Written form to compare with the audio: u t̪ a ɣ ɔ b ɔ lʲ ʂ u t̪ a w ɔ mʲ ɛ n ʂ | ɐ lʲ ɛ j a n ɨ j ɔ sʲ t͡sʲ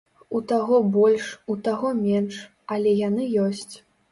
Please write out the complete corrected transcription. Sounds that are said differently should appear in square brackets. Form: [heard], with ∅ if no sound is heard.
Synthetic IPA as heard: u t̪ a ɣ ɔ b ɔ lʲ ʂ u t̪ a [ɣ] ɔ mʲ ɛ n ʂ | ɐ lʲ ɛ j a n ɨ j ɔ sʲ t͡sʲ